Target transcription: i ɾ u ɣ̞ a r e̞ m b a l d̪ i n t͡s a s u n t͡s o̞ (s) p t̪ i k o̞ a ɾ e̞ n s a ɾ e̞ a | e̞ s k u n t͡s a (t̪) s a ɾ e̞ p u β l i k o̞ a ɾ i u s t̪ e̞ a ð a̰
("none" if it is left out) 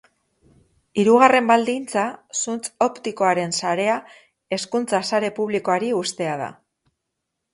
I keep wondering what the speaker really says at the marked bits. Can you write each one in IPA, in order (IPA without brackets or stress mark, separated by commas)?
none, none